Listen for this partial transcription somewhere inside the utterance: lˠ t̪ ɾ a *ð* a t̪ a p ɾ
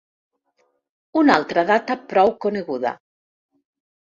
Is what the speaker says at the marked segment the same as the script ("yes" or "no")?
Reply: yes